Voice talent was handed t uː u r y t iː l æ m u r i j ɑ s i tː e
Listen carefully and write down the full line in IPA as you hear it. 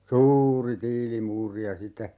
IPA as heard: s uː u r i t iː l i m uː r i j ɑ s i tː e